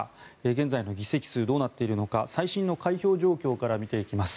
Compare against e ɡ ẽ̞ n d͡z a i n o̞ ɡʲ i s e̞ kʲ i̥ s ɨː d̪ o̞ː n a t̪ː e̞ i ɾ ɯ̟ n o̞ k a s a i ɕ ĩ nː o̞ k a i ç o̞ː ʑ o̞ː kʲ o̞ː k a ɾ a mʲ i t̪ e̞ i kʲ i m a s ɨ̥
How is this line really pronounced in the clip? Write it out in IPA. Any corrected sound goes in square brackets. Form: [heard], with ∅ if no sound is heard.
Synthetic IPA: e ɡ ẽ̞ n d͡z a i n o̞ ɡʲ i s e̞ kʲ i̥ s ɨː d̪ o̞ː n a t̪ː e̞ i ɾ ɯ̟ n o̞ k a s a i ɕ ĩ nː o̞ k a i ç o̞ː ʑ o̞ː kʲ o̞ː k a ɾ a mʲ i t̪ e̞ i kʲ i m a s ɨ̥